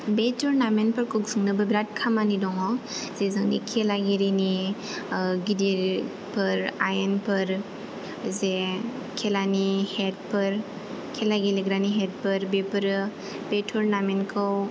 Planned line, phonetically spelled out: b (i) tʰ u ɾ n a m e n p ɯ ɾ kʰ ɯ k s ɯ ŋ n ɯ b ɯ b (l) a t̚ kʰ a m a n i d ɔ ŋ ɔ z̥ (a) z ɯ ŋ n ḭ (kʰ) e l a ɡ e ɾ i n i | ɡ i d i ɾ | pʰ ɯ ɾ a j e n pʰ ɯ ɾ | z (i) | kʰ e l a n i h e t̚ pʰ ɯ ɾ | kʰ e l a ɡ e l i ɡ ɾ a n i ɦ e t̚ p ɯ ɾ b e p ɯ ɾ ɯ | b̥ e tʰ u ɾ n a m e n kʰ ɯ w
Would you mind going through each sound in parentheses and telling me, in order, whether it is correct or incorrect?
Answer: incorrect: e, incorrect: ɾ, incorrect: e, correct, incorrect: e

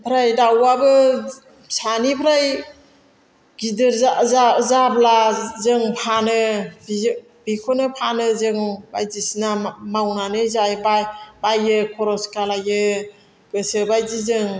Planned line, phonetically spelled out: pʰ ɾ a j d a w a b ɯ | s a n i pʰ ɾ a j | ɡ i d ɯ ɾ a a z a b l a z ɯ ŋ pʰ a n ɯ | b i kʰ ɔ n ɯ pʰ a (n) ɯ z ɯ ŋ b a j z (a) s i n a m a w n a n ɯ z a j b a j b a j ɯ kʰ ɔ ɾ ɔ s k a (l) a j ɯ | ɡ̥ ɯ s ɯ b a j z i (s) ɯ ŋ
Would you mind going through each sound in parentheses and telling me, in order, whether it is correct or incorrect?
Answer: correct, incorrect: i, correct, incorrect: z

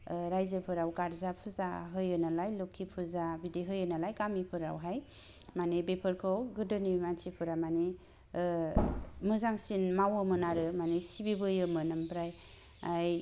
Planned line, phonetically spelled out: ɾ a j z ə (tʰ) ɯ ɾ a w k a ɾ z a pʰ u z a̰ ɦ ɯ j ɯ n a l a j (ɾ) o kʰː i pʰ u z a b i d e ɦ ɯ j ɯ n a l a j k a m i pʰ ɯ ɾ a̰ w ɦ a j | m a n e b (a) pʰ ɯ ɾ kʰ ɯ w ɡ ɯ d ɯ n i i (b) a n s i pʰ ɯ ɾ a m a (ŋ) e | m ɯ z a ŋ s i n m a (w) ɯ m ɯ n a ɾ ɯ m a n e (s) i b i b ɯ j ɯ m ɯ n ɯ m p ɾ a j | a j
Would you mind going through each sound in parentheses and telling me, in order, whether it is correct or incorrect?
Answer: incorrect: pʰ, incorrect: l, incorrect: e, incorrect: m, incorrect: n, correct, correct

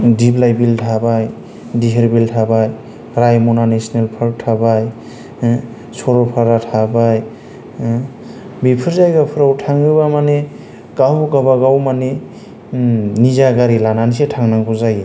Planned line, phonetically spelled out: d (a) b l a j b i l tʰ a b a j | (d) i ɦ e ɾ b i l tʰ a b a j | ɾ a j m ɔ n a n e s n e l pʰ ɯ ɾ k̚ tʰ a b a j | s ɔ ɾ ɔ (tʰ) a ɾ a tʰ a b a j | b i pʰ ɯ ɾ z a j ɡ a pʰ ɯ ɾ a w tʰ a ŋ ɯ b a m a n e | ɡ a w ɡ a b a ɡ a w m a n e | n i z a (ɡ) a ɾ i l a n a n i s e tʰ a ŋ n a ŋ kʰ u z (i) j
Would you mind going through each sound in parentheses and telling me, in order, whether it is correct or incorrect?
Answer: incorrect: i, correct, incorrect: pʰ, correct, incorrect: a

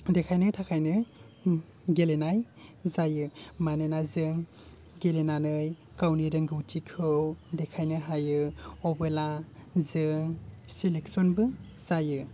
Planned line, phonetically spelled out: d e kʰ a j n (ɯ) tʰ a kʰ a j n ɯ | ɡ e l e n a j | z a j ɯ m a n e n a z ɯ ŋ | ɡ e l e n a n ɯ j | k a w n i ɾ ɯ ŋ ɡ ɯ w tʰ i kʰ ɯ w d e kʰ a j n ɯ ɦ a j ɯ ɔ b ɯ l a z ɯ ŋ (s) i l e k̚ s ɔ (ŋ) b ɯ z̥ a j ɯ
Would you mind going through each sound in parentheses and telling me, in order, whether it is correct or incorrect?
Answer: correct, correct, incorrect: n

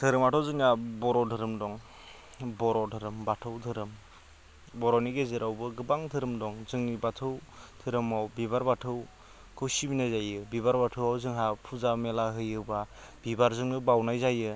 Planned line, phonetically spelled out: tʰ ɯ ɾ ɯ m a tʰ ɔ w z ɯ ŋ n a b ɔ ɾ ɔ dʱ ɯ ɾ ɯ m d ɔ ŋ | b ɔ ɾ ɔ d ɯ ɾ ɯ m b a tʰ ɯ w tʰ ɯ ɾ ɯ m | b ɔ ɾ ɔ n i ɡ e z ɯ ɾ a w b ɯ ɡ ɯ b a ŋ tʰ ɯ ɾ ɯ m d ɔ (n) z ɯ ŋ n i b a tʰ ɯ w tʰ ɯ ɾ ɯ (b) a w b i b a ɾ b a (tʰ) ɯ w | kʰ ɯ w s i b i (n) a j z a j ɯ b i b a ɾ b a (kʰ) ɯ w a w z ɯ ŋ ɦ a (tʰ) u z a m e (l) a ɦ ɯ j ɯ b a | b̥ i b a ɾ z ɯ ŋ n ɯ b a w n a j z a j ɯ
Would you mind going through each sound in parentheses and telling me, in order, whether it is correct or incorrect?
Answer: incorrect: ŋ, incorrect: m, correct, correct, incorrect: tʰ, incorrect: pʰ, correct

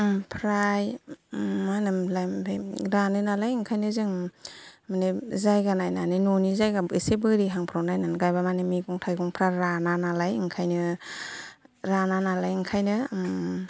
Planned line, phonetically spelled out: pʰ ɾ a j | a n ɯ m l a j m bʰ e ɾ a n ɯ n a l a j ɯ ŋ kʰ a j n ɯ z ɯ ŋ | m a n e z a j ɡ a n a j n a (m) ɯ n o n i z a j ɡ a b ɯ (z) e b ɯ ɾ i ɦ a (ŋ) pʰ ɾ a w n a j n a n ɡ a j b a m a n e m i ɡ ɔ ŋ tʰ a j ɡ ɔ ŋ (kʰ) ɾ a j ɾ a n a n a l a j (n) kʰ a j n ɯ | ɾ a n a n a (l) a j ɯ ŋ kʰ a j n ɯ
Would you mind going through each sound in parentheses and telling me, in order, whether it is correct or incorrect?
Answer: incorrect: n, incorrect: s, correct, incorrect: pʰ, incorrect: ŋ, correct

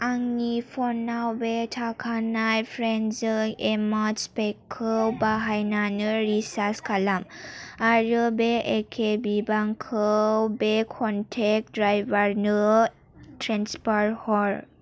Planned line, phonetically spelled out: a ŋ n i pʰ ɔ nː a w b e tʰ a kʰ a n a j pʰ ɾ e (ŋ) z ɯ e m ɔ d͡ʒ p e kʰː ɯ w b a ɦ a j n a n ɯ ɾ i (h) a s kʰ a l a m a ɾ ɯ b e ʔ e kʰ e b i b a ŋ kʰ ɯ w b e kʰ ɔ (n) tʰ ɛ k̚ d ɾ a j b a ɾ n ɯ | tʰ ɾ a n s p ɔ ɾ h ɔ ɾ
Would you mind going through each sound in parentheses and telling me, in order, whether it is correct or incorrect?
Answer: incorrect: n, incorrect: s, correct

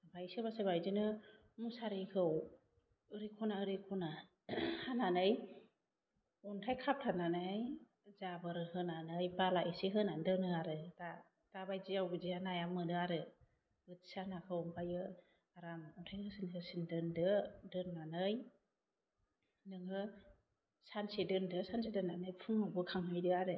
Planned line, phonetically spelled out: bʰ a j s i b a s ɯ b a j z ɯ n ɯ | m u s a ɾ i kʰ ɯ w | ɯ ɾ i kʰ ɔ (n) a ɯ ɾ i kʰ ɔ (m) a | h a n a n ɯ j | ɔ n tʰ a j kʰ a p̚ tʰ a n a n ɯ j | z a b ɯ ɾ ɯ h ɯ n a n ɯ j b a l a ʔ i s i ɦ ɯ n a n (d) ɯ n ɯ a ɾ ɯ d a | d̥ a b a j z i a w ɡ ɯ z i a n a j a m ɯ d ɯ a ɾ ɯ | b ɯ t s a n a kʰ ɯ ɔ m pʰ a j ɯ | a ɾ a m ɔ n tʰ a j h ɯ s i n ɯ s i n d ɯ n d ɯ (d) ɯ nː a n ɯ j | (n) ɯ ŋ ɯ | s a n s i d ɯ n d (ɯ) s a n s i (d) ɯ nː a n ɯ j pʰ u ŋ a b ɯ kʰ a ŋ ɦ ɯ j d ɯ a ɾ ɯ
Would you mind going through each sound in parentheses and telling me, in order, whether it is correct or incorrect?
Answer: correct, incorrect: n, correct, correct, correct, correct, correct

